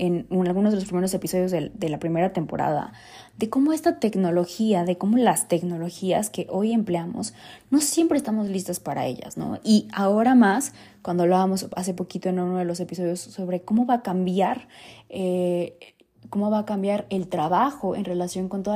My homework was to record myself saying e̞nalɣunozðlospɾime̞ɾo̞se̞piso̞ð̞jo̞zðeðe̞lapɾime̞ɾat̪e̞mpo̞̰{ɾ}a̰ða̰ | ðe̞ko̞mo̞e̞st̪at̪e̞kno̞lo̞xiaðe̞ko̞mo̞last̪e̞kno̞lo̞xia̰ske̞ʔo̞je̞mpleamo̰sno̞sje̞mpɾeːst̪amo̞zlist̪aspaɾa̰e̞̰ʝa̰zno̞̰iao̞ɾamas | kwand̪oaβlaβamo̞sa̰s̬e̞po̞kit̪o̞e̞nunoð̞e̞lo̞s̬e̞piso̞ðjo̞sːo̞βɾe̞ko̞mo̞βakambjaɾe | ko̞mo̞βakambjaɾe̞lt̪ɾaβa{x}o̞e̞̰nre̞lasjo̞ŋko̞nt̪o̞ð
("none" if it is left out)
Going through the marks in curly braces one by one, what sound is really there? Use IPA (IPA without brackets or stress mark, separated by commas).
ɾ, x